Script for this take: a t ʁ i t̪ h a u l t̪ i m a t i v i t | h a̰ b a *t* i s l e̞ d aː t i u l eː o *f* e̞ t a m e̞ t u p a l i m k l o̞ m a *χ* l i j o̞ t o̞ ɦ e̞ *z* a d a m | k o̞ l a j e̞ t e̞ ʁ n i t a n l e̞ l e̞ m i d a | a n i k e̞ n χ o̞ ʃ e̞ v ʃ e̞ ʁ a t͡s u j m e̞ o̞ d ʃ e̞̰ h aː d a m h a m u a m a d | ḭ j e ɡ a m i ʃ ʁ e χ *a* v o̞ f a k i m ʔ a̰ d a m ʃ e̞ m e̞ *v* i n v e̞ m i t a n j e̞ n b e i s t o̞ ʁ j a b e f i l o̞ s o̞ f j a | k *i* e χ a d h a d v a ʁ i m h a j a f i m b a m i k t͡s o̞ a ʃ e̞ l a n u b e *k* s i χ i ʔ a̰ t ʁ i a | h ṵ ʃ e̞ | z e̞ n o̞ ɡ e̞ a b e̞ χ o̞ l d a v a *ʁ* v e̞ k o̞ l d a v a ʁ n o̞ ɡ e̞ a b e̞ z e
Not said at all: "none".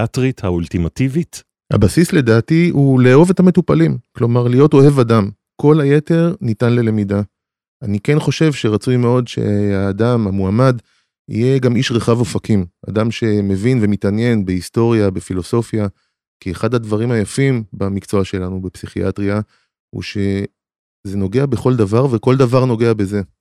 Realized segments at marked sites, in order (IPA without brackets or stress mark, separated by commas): s, v, ʁ, v, a, v, i, p, ʁ